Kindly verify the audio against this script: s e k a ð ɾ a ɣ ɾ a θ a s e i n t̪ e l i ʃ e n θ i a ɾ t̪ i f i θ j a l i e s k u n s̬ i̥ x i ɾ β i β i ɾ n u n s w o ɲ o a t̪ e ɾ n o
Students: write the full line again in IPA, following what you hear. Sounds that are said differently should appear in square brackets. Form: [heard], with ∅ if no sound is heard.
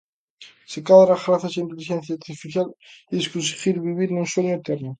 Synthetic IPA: s e k a ð ɾ a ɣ ɾ a θ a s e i n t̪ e l i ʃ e n θ [j] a ɾ t̪ i f i θ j a l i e s k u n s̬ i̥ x i ɾ β i β i ɾ n u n s w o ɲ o [e] t̪ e ɾ n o